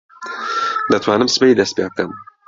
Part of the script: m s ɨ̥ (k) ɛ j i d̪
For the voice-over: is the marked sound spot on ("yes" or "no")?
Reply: no